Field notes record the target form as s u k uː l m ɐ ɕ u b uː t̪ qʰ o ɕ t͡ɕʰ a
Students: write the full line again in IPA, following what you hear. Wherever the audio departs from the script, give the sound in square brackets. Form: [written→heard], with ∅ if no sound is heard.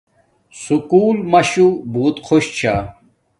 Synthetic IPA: s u k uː l m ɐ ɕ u b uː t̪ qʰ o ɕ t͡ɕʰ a